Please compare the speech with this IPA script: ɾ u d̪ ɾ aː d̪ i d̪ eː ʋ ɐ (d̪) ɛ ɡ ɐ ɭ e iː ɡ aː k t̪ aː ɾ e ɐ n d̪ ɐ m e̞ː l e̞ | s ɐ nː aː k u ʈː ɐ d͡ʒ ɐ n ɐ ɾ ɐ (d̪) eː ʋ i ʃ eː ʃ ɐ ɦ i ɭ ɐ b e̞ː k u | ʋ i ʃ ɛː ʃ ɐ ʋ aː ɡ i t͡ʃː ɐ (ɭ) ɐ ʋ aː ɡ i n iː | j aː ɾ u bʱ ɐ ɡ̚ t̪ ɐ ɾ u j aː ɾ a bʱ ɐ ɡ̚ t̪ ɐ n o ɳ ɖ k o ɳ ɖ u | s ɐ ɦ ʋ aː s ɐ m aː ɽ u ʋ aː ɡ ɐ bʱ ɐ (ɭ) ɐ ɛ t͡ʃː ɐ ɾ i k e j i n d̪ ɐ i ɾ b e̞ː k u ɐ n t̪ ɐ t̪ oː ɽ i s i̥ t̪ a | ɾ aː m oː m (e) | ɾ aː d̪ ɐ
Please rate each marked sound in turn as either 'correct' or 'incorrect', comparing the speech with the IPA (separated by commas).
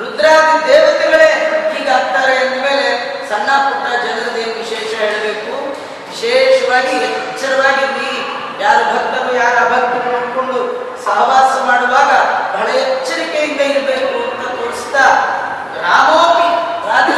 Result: incorrect, correct, incorrect, correct, incorrect